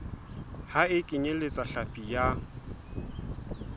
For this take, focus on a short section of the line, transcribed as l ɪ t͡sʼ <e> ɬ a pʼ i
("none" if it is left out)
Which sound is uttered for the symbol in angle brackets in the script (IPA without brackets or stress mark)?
a